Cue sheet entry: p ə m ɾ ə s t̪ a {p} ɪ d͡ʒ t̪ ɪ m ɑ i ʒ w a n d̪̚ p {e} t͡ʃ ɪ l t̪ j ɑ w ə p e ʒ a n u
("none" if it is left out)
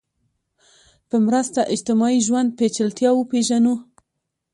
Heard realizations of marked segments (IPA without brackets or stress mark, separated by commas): ʔ, e